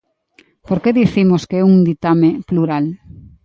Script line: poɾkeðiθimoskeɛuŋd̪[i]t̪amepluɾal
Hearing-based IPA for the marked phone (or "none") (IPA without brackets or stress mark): i